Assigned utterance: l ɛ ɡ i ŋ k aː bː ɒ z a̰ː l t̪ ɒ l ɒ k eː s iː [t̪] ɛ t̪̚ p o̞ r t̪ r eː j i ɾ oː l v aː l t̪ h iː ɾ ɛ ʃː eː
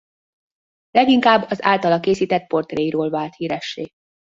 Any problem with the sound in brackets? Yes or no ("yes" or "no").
no